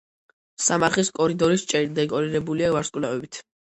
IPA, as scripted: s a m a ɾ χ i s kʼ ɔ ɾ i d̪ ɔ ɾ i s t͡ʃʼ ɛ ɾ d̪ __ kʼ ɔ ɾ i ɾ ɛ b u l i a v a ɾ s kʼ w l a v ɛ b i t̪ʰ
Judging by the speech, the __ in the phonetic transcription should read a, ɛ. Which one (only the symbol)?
ɛ